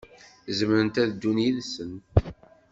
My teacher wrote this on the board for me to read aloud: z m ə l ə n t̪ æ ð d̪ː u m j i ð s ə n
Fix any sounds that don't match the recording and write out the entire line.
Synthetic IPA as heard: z m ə ɾ ə n t̪ æ ð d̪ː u n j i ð s ə n